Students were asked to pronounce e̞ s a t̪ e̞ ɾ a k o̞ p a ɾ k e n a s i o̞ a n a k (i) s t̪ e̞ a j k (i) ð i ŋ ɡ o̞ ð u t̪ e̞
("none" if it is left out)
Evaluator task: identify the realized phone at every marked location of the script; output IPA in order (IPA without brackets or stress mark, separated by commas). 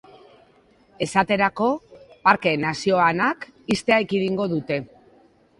i, i